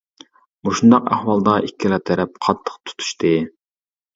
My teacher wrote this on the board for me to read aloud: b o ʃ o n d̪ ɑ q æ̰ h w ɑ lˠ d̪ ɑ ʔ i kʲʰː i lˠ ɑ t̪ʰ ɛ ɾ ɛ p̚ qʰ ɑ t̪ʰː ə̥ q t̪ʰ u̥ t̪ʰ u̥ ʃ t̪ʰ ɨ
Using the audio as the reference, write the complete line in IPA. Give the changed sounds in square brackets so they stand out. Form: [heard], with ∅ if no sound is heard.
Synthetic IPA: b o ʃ [u] n d̪ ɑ q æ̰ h w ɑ lˠ d̪ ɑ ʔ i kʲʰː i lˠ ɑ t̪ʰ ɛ ɾ ɛ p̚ qʰ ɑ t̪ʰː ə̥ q t̪ʰ u̥ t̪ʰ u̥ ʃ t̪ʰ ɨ